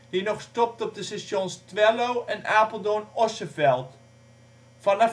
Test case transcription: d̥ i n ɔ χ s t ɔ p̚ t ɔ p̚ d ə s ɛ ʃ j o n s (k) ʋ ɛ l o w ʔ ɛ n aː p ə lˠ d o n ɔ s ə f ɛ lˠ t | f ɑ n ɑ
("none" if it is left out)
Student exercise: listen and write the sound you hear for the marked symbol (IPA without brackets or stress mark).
t